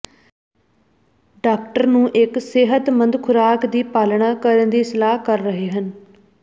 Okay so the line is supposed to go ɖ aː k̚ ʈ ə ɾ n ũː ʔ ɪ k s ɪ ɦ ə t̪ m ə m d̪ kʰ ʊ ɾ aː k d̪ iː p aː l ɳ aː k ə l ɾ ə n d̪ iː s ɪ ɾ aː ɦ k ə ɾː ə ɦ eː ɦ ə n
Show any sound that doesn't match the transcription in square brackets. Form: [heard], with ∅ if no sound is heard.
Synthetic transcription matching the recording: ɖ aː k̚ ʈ ə ɾ n ũː ʔ ɪ k s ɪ ɦ ə t̪ m ə [n] d̪ kʰ ʊ ɾ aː k d̪ iː p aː l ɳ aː k ə [∅] ɾ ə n d̪ iː s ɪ [l] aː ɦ k ə ɾː ə ɦ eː ɦ ə n